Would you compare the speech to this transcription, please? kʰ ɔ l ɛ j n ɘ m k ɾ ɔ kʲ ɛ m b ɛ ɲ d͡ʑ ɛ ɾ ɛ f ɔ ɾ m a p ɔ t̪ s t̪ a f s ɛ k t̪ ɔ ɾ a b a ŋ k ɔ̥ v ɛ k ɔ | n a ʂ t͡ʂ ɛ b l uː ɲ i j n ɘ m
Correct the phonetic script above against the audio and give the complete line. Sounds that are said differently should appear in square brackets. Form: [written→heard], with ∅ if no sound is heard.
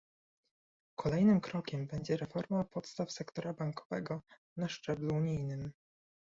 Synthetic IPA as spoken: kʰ ɔ l ɛ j n ɘ m k ɾ ɔ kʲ ɛ m b ɛ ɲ d͡ʑ ɛ ɾ ɛ f ɔ ɾ m a p ɔ t̪ s t̪ a f s ɛ k t̪ ɔ ɾ a b a ŋ k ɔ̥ v ɛ [k→ɡ] ɔ | n a ʂ t͡ʂ ɛ b l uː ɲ i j n ɘ m